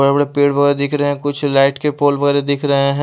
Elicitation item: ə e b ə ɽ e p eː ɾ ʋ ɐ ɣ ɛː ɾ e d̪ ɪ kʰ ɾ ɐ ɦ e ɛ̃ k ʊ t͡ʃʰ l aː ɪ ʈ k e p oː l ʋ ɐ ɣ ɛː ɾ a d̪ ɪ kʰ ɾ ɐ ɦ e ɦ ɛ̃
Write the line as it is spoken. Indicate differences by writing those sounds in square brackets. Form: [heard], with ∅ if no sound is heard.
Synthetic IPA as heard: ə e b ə ɽ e p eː [ɽ] ʋ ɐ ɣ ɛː ɾ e d̪ ɪ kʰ ɾ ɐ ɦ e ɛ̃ k ʊ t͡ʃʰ l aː ɪ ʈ k e p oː l ʋ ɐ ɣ ɛː ɾ [e] d̪ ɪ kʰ ɾ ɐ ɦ e ɦ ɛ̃